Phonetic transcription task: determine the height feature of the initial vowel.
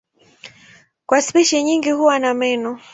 low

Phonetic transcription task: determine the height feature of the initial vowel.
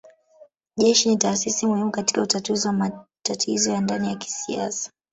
mid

